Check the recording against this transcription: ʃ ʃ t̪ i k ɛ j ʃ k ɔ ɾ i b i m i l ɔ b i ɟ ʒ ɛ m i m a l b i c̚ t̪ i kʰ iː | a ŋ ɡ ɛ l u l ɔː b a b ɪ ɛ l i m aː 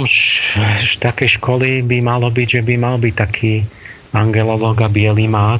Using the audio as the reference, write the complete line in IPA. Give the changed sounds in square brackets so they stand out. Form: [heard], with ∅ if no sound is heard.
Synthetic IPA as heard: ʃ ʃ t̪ [a] k ɛ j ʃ k ɔ [l] i b i m [a] l ɔ b i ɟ ʒ ɛ [b] i m a l b i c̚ t̪ [a] kʰ iː | a ŋ ɡ ɛ l [ɔ] l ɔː [ɡ] a b ɪ ɛ l i m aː